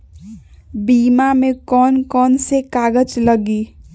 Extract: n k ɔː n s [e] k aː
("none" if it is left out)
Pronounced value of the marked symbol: e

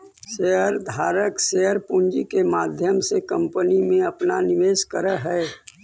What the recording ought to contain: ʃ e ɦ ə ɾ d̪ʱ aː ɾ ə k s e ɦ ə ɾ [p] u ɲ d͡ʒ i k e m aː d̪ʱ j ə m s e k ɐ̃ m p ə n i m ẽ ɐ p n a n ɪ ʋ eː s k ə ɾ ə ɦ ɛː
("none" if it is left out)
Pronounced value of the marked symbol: p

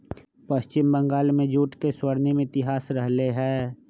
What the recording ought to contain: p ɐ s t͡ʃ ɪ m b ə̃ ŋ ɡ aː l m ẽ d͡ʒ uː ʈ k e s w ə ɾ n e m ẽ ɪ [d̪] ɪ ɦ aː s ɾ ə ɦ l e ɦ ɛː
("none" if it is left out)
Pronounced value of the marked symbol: t̪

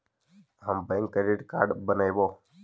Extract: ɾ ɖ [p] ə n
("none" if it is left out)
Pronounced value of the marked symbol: b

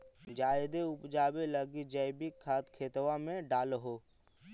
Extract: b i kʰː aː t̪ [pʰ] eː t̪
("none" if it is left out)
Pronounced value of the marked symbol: kʰ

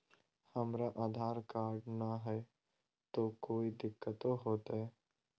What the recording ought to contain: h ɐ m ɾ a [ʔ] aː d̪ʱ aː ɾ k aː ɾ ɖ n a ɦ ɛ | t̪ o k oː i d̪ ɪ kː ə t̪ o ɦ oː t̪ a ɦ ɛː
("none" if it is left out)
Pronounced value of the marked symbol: ʔ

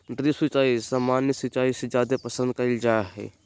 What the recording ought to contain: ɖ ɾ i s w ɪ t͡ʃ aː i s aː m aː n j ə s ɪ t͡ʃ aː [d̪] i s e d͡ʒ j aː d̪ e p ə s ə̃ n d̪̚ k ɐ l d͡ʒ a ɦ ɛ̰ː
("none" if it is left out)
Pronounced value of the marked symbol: none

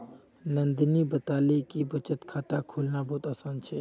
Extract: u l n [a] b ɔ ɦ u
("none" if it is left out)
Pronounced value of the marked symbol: a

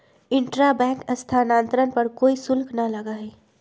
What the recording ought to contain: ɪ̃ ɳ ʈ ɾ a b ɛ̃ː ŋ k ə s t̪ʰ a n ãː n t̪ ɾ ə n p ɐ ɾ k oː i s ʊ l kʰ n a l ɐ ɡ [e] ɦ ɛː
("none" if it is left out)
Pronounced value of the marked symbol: a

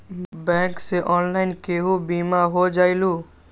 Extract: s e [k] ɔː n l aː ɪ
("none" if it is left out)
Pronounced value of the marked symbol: ʔ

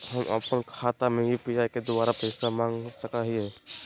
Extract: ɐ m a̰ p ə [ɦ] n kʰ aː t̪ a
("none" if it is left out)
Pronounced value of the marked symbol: none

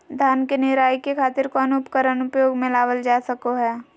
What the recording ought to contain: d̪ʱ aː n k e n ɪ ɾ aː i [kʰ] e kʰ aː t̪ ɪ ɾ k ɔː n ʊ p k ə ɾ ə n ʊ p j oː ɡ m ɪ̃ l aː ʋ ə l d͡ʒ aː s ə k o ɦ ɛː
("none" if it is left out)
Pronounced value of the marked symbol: k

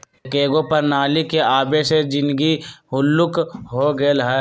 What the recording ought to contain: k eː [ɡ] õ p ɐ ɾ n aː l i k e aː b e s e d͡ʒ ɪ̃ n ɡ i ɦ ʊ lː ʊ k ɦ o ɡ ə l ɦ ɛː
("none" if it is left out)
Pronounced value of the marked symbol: ɡ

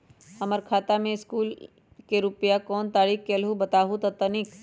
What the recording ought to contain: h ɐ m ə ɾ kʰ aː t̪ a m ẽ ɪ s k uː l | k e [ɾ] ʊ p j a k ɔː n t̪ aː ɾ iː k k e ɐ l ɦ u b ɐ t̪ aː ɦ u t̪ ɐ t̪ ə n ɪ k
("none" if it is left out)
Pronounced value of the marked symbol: ɾ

